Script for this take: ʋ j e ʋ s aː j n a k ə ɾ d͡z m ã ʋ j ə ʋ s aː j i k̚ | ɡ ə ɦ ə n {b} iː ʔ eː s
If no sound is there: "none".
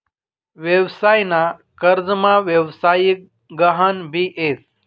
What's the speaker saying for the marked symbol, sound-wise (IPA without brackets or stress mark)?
b